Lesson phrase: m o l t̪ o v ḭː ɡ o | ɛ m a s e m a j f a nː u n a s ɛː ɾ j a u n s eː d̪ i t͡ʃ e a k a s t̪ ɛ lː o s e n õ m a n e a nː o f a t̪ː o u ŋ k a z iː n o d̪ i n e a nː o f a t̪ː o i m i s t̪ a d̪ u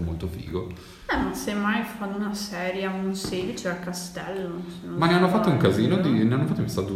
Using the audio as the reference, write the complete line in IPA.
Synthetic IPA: m o l t̪ o f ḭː ɡ o | ɛ m a s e m a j f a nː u n a s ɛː ɾ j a u n s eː d̪ i t͡ʃ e a k a s t̪ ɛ lː o s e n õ m a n e a nː o f a t̪ː o u ŋ k a z iː n o d̪ i n e a nː o f a t̪ː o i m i s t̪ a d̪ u